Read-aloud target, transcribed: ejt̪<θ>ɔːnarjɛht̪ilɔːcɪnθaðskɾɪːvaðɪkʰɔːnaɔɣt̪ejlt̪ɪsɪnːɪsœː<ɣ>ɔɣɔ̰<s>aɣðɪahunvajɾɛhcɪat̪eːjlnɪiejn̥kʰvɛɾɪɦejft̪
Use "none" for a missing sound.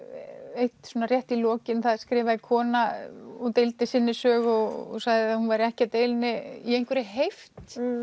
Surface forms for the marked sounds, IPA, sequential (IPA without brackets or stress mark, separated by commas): s, ɣ, s